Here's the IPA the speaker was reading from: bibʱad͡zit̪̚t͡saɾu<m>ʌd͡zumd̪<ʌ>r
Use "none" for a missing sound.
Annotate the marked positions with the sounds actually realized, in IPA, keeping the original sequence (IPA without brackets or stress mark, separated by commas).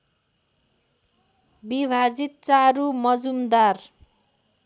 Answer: m, a